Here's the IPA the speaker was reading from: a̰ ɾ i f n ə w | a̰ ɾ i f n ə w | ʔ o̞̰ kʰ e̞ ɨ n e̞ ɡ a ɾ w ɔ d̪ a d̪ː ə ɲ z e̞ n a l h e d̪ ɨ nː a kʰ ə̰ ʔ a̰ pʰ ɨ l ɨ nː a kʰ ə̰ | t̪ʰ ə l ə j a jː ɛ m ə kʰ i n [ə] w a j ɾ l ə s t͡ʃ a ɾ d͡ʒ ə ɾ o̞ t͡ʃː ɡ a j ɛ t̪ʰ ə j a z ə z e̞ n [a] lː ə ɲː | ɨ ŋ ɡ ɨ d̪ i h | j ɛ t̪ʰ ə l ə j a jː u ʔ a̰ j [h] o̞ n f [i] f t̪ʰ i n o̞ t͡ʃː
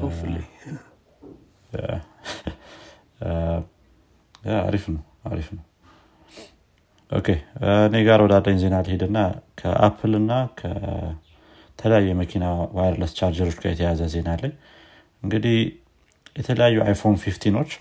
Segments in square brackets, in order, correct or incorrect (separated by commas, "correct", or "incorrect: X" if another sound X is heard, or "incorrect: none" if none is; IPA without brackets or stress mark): incorrect: a, correct, incorrect: f, correct